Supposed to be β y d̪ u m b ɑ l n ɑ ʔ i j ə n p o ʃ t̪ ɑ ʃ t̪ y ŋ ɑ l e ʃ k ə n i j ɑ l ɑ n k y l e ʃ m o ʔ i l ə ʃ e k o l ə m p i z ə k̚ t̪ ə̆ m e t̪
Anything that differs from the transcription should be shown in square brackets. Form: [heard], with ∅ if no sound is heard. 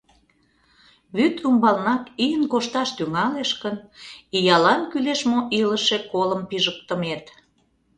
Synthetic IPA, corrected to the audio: β y [t̪] u m b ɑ l n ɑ [k] i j ə n [k] o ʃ t̪ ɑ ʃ t̪ y ŋ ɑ l e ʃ k ə n i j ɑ l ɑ n k y l e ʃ m o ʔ i l ə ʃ e k o l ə m p i [ʒ] ə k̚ t̪ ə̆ m e t̪

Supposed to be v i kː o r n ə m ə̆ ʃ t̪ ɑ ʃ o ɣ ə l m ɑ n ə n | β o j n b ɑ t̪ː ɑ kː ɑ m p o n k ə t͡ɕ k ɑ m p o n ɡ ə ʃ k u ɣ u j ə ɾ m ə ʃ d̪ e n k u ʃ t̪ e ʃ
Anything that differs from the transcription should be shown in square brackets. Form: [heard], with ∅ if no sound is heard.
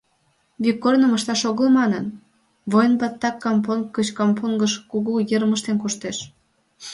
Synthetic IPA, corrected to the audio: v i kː o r n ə m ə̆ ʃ t̪ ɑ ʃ o ɣ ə l m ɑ n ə n | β o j n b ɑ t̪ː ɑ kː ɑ m p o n k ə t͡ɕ k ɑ m p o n ɡ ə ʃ k u ɣ u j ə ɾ m ə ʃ [t̪] e n k u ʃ t̪ e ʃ

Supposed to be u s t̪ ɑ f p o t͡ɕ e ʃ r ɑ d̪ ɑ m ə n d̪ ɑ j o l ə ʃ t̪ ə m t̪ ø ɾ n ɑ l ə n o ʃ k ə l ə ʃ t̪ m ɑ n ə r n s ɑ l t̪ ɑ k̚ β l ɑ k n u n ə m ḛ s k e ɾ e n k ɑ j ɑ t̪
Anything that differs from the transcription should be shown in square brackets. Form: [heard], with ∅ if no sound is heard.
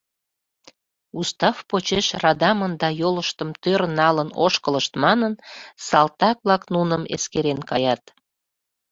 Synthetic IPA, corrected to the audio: u s t̪ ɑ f p o t͡ɕ e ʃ r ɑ d̪ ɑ m ə n d̪ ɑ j o l ə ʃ t̪ ə m t̪ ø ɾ n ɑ l ə n o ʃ k ə l ə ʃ t̪ m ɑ n ə [∅] n s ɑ l t̪ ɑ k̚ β l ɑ k n u n ə m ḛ s k e ɾ e n k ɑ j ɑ t̪

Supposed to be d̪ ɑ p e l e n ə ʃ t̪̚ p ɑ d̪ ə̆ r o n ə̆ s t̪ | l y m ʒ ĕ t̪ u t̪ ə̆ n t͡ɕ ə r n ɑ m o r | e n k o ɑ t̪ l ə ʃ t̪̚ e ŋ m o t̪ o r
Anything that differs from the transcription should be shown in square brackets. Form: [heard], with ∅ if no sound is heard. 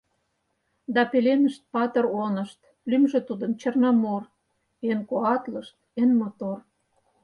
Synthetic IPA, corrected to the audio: d̪ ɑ p e l e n ə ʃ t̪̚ p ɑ [t̪] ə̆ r o n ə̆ [ʃ] t̪ | l y m ʒ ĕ t̪ u [d̪] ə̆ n t͡ɕ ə r n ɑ m o r | e n k o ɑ t̪ l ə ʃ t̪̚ e [n] m o t̪ o r

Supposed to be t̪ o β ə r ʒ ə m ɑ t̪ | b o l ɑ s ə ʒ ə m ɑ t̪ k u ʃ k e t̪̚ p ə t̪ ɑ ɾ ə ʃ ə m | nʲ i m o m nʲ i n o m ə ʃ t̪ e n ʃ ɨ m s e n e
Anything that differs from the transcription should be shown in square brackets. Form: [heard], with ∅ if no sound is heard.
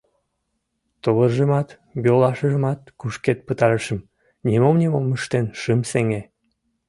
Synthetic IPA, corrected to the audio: t̪ o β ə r ʒ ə m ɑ t̪ | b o l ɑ [ʃ] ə ʒ ə m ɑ t̪ k u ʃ k e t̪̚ p ə t̪ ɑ ɾ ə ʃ ə m | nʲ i m o m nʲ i [m] o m ə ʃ t̪ e n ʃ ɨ m s e [ŋ] e

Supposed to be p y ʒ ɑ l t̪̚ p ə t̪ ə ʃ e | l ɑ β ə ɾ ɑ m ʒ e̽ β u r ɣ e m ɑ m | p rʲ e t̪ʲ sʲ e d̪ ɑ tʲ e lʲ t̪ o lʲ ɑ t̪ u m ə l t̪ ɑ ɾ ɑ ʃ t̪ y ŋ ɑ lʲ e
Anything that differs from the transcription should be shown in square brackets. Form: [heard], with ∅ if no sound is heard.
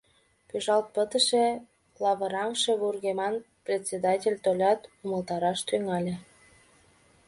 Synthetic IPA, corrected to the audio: p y ʒ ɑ l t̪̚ p ə t̪ ə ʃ e | l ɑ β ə ɾ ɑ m [ʃ] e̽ β u r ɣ e m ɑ [n] | p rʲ e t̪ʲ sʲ e d̪ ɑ tʲ e lʲ t̪ o lʲ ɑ t̪ u m ə l t̪ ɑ ɾ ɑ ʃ t̪ y ŋ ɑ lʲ e

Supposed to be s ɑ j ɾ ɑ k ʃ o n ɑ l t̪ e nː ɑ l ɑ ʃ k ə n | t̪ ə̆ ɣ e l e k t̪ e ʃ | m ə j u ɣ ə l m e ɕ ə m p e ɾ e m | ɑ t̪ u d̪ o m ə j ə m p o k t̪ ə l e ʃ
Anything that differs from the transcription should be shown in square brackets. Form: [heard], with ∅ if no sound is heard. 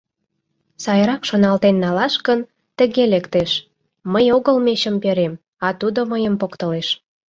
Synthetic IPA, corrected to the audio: s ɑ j ɾ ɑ k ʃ o n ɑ l t̪ e nː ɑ l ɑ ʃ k ə n | t̪ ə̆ ɣ e l e k t̪ e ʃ | m ə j [o] ɣ ə l m e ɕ ə m p e ɾ e m | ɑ t̪ u d̪ o m ə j ə m p o k t̪ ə l e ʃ

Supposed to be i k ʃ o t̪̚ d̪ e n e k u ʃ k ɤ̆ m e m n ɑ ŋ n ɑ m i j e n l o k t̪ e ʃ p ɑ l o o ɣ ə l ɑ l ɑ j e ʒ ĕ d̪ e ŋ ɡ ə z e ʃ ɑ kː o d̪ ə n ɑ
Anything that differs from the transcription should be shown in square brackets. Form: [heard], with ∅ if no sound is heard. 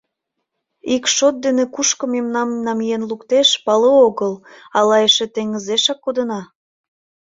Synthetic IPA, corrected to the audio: i k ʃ o t̪̚ d̪ e n e k u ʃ k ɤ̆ m e m n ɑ [m] n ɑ m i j e n l [u] k t̪ e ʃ p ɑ l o o ɣ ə l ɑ l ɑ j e [ʃ] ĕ [t̪] e ŋ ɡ ə z e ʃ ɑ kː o d̪ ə n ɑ

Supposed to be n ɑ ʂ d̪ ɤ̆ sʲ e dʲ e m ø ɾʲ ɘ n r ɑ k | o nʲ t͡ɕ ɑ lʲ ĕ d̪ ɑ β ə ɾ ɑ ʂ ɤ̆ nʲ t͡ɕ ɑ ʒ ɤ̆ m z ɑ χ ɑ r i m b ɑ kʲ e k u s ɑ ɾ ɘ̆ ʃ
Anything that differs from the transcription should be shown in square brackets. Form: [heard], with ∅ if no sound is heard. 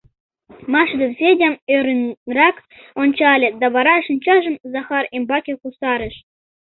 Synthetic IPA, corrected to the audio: [m] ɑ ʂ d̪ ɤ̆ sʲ e dʲ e m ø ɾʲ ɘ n r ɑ k | o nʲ t͡ɕ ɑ lʲ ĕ d̪ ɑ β [ɑ] ɾ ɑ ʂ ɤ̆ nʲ t͡ɕ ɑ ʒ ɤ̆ m z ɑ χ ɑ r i m b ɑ kʲ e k u s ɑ ɾ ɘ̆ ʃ

